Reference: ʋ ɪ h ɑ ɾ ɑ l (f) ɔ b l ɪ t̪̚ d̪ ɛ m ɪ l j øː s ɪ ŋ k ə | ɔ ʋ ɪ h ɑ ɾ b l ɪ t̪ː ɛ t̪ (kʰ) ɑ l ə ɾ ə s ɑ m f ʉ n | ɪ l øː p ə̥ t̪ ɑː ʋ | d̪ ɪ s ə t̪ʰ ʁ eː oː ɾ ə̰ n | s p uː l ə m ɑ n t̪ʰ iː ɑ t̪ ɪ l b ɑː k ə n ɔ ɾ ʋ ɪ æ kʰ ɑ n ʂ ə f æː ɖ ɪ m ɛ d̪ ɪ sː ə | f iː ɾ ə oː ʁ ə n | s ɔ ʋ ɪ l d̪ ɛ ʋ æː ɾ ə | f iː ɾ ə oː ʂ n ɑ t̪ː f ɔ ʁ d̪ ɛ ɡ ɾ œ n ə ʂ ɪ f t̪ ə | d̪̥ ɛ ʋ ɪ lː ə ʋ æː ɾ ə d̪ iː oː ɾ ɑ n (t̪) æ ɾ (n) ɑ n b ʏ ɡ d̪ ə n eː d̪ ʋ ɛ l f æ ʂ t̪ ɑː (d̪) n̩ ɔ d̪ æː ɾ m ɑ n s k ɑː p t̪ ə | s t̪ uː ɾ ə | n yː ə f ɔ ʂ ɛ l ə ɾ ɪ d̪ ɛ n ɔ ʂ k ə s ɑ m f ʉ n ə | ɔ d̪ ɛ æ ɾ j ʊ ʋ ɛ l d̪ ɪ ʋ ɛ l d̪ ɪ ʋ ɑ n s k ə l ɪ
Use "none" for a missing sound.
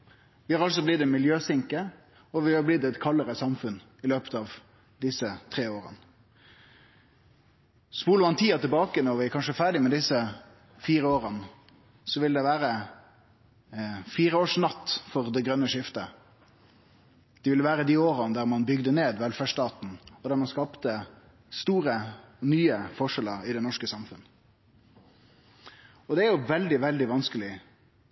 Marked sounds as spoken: s, kʰ, d̪, m, t̪

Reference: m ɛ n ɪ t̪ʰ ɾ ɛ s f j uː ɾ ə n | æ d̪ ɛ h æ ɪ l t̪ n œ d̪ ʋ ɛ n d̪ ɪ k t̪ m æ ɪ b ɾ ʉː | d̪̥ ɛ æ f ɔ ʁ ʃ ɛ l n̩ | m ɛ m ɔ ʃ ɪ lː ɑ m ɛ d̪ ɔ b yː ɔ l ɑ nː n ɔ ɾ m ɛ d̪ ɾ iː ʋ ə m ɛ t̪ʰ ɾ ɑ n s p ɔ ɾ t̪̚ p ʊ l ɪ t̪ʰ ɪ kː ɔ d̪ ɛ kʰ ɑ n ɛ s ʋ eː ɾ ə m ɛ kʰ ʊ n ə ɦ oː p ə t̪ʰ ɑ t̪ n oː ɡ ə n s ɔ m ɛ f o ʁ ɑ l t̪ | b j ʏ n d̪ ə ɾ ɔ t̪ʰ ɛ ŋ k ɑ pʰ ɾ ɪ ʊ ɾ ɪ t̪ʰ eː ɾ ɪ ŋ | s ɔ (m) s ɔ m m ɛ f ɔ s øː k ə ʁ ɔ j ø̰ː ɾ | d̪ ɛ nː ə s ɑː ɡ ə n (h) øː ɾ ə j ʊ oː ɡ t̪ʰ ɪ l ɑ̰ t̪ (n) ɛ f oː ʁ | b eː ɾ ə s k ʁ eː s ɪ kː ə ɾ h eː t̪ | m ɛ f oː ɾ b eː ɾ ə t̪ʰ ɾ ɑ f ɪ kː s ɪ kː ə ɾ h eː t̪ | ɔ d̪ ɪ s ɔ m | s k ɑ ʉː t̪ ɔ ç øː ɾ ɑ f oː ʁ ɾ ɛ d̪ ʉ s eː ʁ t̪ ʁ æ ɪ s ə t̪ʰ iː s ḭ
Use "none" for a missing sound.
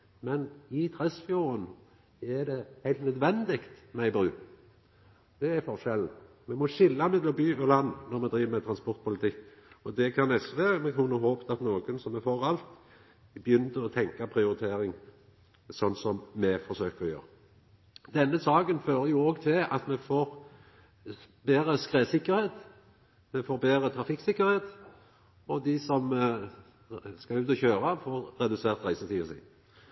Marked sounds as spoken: n, f, m

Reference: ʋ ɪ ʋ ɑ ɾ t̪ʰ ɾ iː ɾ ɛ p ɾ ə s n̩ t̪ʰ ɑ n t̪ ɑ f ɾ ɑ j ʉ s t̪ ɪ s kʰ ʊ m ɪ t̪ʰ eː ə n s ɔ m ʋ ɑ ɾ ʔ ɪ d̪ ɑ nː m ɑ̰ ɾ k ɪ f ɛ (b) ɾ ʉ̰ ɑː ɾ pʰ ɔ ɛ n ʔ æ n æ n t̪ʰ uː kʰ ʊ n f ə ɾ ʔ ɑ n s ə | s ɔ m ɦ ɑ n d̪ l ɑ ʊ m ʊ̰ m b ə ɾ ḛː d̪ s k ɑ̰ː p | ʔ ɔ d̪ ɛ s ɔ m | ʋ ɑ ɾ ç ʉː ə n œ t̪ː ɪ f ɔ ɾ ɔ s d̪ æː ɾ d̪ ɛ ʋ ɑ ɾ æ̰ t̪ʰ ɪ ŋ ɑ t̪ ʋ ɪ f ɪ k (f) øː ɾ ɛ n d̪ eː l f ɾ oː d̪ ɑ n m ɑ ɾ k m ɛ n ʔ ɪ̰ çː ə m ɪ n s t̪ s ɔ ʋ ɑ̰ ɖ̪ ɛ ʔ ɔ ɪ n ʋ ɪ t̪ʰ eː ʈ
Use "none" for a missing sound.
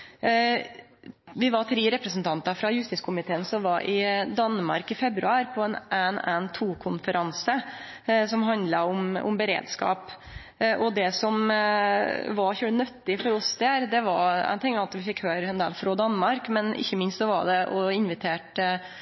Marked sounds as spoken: b, h

